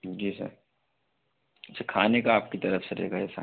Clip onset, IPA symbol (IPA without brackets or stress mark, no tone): d͡ʒ